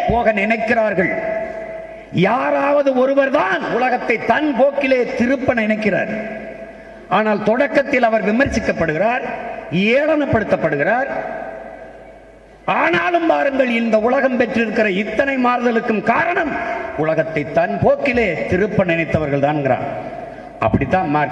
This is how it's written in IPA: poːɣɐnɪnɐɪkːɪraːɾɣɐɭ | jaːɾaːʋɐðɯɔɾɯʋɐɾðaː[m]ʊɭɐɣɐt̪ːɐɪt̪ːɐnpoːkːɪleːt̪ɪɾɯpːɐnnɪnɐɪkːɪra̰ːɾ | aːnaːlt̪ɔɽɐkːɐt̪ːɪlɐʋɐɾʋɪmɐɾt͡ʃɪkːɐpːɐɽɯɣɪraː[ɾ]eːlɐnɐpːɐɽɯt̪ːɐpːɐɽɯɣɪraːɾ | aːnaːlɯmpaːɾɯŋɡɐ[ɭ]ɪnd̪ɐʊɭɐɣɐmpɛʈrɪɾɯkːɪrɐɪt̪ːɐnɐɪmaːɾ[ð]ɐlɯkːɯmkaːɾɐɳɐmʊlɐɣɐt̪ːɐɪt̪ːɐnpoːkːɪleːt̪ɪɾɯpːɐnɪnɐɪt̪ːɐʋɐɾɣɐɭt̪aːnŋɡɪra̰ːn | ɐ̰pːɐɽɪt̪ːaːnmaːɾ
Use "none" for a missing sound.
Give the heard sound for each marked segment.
n, ɾ, ɭ, ð

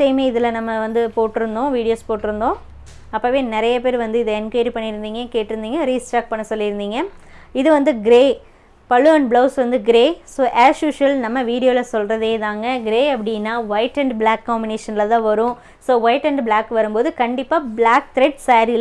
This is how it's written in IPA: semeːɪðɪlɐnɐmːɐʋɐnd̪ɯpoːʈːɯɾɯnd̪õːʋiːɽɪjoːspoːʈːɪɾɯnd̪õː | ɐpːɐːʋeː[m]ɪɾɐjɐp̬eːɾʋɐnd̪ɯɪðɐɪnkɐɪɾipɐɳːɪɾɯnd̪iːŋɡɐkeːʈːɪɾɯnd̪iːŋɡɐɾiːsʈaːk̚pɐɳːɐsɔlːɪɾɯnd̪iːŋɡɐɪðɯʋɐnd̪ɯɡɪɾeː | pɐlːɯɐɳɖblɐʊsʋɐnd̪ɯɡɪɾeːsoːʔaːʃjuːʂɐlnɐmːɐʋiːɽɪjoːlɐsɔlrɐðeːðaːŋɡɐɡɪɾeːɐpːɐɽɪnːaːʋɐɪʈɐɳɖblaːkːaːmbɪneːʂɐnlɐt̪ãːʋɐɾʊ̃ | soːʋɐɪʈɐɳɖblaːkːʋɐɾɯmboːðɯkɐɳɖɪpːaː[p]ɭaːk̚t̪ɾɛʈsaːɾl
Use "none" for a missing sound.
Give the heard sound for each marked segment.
n, b

